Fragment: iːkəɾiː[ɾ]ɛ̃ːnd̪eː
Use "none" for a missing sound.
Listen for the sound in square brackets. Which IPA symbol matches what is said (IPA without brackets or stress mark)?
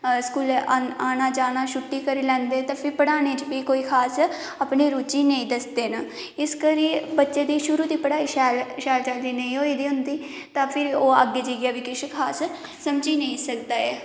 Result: l